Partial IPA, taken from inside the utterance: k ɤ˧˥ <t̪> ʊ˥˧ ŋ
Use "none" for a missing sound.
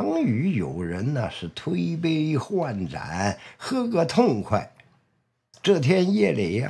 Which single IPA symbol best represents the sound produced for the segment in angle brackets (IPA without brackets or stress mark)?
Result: t̪ʰ